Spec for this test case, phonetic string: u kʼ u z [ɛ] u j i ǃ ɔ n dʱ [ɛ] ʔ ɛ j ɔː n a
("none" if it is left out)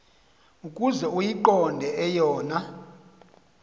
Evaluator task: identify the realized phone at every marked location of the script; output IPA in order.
ɛ, ɛ

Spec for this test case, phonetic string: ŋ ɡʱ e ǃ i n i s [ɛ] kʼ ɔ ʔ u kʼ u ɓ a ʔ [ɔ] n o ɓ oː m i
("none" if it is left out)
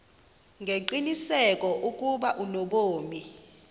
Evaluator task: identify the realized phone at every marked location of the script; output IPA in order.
ɛ, u

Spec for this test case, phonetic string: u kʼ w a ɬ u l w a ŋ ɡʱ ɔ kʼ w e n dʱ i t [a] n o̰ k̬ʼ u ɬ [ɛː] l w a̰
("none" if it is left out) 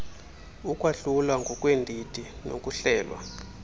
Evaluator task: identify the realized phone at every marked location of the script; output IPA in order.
i, ɛː

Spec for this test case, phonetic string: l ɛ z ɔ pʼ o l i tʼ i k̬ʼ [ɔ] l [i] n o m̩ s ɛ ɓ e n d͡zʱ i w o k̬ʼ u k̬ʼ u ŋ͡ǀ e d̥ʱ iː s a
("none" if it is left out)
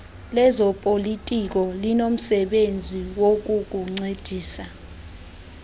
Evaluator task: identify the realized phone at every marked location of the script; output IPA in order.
ɔ, i

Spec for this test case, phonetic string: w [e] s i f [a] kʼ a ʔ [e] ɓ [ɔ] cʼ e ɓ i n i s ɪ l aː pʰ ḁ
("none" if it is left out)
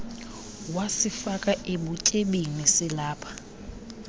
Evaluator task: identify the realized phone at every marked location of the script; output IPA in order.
a, a, e, u

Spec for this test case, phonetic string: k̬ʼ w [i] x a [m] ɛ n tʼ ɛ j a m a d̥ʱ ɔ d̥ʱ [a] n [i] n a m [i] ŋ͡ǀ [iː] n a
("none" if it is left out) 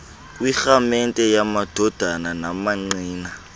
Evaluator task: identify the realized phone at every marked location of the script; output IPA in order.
i, m, a, a, a, iː

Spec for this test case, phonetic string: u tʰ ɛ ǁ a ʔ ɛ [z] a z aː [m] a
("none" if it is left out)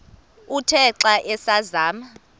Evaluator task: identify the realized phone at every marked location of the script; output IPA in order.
s, m

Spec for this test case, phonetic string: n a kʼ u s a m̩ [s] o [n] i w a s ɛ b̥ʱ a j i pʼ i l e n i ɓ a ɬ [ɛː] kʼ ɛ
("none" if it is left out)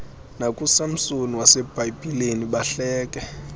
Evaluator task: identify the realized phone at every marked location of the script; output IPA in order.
s, n, ɛː

